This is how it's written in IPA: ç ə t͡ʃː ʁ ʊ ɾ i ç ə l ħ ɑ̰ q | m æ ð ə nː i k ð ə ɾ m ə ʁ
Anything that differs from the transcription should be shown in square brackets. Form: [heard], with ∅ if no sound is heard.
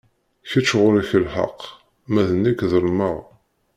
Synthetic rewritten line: ç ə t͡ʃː ʁ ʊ ɾ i ç ə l ħ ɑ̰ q | m æ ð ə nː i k ð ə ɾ m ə ʁ

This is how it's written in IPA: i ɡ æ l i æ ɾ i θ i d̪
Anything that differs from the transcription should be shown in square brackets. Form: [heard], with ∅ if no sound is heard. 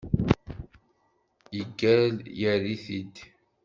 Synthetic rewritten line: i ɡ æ l [j] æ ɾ i θ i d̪

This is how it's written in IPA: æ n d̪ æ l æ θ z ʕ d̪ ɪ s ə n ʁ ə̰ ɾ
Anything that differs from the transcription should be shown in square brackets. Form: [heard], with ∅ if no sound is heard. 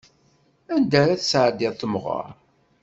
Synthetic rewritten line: æ n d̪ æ [ɾ] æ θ [s] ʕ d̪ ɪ [θ] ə [m] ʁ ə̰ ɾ

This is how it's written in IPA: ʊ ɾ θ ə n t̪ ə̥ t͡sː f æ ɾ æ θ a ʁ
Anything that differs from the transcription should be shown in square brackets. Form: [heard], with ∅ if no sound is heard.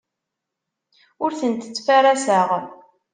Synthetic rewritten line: ʊ ɾ θ ə n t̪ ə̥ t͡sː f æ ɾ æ [s] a ʁ

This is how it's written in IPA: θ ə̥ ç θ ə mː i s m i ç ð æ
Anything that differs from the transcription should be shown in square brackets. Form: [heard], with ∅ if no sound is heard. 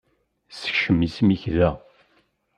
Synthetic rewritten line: [s] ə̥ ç [ʃ] ə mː i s m i ç ð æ

